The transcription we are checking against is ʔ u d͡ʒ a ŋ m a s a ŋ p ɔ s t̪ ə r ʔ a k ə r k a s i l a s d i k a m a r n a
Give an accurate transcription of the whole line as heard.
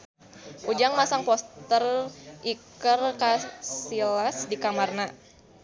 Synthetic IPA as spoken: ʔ u d͡ʒ a ŋ m a s a ŋ p ɔ s t̪ ə r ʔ i k ə r k a s i l a s d i k a m a r n a